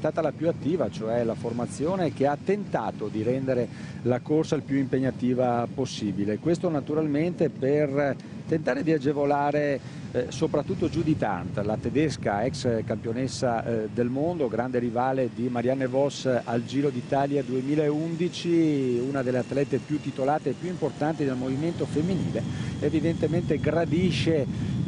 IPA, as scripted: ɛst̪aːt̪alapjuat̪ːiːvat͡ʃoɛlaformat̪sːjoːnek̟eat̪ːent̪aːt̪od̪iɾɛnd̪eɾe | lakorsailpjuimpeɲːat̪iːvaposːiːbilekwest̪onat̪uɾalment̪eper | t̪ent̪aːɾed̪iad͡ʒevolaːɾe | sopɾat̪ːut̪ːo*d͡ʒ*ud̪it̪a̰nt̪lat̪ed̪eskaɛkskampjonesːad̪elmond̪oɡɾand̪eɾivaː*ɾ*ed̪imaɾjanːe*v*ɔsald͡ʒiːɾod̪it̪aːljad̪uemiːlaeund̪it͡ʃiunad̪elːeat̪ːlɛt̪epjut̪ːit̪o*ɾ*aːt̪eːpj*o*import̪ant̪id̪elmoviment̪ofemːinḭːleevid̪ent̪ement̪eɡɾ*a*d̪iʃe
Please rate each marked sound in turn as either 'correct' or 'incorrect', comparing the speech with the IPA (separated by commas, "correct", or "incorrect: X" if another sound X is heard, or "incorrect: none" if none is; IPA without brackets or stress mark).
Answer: correct, incorrect: l, correct, incorrect: l, incorrect: u, correct